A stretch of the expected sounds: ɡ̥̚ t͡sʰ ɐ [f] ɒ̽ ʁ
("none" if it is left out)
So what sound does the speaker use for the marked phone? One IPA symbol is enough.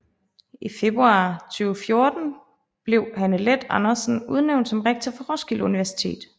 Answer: f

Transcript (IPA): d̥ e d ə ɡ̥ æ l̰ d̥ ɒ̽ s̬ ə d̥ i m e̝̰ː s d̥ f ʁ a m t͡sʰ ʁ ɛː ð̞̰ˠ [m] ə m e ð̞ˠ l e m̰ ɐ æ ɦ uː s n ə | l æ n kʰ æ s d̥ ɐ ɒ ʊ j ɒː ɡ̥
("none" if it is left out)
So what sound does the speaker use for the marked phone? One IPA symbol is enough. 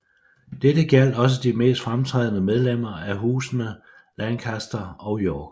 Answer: n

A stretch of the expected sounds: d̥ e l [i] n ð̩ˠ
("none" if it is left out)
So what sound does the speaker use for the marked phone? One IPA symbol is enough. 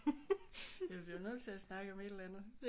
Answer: æ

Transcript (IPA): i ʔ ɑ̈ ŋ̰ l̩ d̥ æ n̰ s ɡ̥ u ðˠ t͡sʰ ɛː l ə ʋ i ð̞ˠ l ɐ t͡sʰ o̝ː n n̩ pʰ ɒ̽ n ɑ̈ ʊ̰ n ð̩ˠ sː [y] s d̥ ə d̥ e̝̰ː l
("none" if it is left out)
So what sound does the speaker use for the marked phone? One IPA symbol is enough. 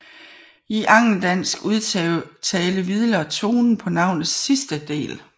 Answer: i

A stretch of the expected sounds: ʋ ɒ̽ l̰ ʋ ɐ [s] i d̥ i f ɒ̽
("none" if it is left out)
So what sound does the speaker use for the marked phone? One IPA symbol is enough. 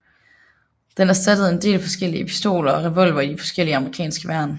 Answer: none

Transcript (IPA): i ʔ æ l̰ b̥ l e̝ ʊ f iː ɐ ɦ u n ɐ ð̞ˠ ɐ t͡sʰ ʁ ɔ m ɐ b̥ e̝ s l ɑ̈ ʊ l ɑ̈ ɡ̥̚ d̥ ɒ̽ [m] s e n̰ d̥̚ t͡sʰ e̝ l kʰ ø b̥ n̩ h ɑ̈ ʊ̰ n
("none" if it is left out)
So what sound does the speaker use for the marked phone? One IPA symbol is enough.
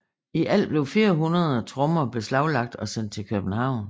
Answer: none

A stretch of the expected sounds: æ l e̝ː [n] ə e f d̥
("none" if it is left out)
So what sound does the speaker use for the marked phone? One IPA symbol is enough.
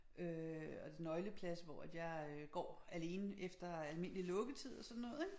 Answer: n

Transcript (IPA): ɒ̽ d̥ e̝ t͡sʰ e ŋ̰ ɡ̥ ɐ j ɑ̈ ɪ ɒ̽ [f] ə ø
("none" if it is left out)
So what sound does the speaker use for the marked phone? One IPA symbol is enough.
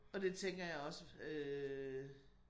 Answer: s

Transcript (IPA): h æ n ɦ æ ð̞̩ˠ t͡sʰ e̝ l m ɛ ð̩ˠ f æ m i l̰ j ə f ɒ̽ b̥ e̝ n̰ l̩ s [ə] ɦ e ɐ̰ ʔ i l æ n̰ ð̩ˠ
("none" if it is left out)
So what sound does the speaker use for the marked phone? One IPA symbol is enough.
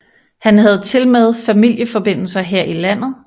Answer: ɐ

